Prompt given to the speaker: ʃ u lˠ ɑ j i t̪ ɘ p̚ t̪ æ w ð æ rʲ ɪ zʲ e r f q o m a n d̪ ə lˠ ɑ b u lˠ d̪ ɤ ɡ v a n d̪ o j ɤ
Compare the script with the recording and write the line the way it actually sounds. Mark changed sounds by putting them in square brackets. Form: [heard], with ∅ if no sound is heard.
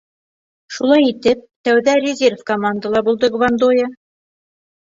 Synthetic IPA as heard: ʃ u lˠ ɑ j i t̪ ɘ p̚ t̪ æ w ð æ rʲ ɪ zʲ e r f [k] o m a n d̪ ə lˠ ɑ b u lˠ d̪ ɤ ɡ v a n d̪ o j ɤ